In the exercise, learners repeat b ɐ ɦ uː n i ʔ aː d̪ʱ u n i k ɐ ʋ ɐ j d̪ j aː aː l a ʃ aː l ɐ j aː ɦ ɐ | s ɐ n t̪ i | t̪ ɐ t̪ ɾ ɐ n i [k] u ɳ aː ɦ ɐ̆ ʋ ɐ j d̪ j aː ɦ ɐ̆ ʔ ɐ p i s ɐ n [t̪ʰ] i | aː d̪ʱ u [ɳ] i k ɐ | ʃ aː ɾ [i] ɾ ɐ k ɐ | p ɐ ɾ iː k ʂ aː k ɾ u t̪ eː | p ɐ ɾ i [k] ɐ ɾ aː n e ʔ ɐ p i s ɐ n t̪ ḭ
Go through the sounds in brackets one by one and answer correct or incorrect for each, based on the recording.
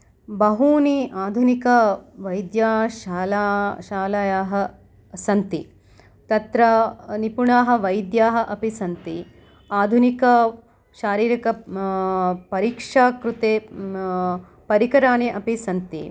incorrect: p, incorrect: t̪, incorrect: n, incorrect: iː, correct

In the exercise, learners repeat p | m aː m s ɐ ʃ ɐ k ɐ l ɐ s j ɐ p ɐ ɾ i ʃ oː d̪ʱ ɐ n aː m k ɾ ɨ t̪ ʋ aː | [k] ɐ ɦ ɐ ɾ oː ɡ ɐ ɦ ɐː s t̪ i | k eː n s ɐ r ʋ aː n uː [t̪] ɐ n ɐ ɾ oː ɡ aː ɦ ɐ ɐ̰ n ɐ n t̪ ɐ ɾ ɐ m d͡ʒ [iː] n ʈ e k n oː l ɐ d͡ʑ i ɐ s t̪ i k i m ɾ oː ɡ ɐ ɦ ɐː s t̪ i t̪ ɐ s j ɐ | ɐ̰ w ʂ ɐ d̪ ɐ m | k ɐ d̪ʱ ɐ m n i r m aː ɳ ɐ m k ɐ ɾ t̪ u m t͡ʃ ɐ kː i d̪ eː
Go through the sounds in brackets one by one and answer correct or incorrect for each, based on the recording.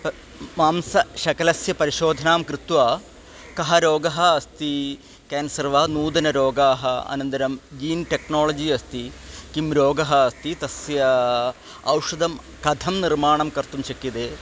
correct, incorrect: d̪, correct

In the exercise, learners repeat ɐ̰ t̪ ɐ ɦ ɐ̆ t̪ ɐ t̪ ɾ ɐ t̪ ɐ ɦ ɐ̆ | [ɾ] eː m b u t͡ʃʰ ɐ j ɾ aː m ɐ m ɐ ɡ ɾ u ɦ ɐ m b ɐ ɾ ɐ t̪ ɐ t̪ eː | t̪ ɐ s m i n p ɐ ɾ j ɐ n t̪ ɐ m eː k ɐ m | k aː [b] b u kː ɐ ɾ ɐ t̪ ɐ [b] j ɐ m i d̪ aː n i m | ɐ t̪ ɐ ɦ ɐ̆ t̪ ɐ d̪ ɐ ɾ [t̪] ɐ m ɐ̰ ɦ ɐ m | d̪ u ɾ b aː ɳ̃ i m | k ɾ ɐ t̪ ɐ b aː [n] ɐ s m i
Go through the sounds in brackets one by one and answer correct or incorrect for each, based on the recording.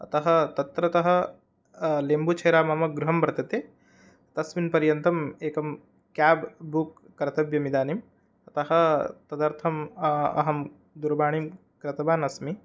incorrect: l, correct, correct, incorrect: t̪ʰ, correct

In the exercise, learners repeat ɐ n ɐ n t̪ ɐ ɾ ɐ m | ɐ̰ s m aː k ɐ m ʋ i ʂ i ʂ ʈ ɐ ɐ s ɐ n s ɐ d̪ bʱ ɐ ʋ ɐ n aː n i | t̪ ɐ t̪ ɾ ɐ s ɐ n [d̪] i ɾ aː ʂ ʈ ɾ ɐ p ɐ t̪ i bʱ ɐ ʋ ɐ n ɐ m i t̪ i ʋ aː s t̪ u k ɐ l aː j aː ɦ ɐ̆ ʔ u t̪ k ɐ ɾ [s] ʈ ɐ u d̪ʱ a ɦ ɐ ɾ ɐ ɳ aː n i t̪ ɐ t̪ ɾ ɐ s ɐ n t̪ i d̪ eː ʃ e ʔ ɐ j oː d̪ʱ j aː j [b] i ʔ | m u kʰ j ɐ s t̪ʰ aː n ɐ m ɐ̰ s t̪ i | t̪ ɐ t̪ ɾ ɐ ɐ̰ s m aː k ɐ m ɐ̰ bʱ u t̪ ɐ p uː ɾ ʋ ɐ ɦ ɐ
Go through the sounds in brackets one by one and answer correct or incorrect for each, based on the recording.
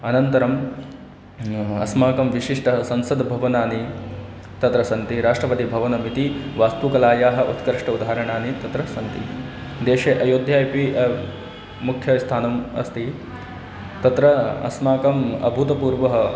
incorrect: t̪, incorrect: ʂ, incorrect: p

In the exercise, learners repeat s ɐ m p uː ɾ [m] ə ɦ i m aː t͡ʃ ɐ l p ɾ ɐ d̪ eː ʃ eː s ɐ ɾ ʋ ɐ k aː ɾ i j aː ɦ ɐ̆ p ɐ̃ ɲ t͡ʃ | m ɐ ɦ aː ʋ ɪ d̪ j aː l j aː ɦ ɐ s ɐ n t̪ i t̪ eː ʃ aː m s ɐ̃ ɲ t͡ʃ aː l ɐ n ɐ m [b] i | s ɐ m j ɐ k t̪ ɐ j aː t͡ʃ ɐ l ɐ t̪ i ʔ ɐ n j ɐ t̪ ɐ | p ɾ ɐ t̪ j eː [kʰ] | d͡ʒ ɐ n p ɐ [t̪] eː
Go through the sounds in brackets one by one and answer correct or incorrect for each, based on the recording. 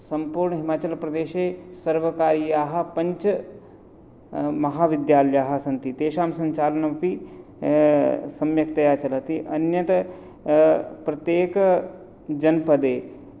incorrect: ɳ, incorrect: p, incorrect: k, incorrect: d̪

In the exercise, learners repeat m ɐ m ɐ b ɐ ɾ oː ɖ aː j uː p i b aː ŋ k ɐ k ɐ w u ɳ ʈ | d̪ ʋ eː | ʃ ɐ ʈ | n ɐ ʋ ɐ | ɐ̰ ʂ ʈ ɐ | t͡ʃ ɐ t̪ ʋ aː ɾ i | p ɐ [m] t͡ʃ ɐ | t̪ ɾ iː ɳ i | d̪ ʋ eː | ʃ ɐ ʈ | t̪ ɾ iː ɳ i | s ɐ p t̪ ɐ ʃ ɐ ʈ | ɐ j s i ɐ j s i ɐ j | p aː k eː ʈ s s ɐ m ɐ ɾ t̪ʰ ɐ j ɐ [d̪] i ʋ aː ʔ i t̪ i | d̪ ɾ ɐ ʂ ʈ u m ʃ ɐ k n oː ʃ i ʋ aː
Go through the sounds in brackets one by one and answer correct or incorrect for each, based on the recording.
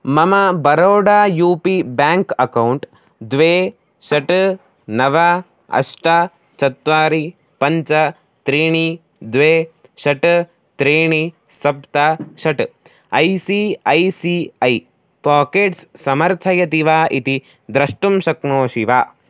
incorrect: ɲ, incorrect: t̪

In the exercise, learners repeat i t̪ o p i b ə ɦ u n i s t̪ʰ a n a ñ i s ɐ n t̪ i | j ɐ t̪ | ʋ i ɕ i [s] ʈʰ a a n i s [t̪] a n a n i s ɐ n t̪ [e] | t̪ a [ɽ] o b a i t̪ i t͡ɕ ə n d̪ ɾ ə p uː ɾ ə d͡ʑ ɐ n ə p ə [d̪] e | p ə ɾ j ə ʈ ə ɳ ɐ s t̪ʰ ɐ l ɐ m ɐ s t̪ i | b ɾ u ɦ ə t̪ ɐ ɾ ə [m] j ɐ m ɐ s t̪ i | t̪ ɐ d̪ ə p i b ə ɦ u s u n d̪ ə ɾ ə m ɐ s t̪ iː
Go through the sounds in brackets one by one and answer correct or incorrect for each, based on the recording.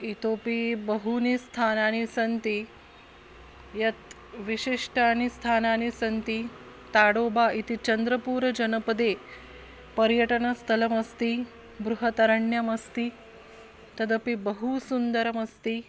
incorrect: ʂ, incorrect: t̪ʰ, incorrect: i, correct, correct, incorrect: ɳ

